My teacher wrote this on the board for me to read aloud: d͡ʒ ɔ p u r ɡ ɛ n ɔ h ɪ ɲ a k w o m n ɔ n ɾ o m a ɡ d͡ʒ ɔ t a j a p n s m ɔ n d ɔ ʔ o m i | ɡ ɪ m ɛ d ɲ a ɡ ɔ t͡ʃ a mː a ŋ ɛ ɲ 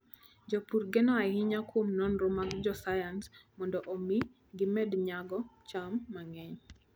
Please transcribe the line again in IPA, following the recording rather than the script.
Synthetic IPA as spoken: d͡ʒ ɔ p u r ɡ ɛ n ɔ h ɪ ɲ a k w o m n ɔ n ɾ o m a ɡ d͡ʒ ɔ s a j a n s m ɔ n d ɔ ʔ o m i | ɡ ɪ m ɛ d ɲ a ɡ ɔ t͡ʃ a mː a ŋ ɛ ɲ